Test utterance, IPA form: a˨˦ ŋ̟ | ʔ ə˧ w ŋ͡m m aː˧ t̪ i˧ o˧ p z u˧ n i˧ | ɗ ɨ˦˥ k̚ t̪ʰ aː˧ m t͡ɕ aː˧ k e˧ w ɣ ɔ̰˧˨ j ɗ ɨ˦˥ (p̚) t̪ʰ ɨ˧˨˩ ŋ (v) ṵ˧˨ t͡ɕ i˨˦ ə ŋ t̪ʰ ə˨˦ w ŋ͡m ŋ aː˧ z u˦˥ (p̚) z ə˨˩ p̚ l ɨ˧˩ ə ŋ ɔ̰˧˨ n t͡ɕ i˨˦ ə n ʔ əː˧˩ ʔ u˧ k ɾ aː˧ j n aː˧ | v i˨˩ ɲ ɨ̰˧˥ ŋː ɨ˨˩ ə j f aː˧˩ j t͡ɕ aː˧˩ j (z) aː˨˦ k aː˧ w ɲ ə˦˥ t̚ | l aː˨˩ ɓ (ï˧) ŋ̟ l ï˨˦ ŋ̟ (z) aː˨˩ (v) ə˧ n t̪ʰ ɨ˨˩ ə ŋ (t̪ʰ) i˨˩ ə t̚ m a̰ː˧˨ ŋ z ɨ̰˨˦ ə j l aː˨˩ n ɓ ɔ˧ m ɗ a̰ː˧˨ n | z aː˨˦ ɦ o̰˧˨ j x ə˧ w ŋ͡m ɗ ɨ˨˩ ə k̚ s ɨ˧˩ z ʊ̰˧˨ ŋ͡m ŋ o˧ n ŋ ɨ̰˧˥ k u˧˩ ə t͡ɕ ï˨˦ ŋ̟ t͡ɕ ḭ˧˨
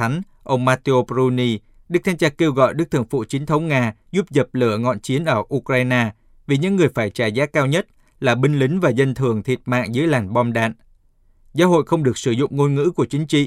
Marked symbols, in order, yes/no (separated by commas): no, no, yes, yes, yes, no, no, yes